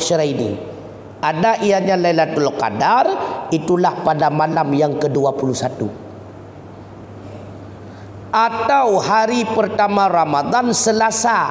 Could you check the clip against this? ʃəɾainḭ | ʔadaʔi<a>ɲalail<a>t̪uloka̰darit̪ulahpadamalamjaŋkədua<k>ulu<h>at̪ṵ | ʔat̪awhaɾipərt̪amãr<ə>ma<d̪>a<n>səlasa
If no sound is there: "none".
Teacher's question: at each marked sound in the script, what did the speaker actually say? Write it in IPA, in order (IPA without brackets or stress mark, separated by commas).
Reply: a, a, p, s, a, d̪, n